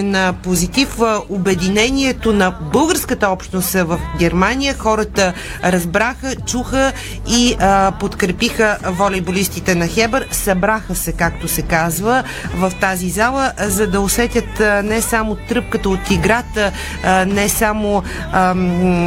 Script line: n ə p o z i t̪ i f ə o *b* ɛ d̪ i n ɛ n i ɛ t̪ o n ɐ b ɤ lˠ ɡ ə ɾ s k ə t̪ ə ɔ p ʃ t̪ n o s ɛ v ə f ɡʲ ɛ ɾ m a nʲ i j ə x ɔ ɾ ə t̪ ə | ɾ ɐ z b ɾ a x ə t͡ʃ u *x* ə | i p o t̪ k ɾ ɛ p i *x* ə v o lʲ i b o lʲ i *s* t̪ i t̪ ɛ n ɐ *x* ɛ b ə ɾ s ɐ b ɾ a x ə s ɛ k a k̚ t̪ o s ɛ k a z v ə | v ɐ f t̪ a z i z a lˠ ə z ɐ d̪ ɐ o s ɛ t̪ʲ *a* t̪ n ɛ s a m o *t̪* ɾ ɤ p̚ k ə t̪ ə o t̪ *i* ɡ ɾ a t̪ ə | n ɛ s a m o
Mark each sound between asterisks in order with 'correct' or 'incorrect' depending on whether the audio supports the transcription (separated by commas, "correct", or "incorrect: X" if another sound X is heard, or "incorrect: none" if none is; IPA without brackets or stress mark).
correct, correct, correct, correct, correct, incorrect: ə, correct, correct